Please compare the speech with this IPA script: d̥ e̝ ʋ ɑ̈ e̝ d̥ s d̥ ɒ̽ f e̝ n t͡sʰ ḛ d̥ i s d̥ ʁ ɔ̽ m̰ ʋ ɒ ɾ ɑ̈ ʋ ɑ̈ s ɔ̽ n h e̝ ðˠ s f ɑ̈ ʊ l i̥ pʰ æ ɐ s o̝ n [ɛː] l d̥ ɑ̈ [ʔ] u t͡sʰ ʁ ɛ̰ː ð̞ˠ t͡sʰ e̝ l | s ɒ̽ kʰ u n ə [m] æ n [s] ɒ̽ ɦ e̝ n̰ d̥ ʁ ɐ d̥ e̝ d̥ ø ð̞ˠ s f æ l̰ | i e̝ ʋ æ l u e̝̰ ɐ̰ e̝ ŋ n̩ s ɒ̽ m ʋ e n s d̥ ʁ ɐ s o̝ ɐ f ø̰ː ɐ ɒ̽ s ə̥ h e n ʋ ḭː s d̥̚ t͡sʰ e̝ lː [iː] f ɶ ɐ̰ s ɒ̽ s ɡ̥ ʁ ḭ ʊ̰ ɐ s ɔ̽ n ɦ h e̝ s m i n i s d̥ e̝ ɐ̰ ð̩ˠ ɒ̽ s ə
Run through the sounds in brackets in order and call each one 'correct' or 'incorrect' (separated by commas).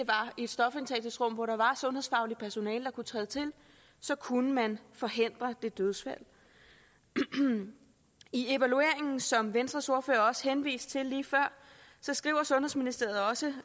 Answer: correct, incorrect, correct, incorrect, correct